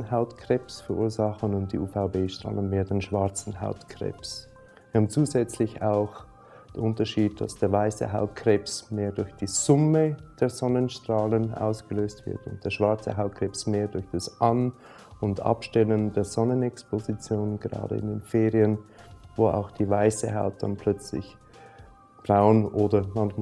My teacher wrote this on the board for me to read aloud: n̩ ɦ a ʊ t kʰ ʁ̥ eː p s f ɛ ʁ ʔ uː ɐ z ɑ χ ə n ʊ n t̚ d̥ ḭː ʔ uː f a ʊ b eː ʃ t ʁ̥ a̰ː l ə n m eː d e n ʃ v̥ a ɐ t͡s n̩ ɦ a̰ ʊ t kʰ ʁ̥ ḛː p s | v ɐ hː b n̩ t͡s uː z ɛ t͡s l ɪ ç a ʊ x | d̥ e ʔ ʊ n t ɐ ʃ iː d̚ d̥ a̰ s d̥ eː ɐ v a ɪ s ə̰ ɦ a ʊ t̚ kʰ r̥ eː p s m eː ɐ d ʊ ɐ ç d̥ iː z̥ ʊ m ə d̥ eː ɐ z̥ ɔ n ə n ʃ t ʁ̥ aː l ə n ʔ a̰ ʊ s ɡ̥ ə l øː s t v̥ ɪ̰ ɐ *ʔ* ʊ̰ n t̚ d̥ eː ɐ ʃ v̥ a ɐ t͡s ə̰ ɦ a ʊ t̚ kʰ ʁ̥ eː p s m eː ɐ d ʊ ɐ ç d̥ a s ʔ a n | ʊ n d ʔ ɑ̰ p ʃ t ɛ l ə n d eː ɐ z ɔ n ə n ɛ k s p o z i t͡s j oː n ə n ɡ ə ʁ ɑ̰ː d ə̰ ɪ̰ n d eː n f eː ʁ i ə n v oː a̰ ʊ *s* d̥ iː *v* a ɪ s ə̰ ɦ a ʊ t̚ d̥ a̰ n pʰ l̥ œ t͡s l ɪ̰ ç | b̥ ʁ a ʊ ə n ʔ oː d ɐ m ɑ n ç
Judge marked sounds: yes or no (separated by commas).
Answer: no, no, yes